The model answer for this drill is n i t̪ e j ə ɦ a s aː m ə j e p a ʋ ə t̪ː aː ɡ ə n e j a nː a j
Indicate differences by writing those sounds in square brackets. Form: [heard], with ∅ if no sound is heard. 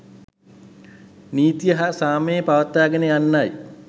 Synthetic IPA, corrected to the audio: n [iː] t̪ [i] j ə ɦ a s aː m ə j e p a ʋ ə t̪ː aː ɡ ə n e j a nː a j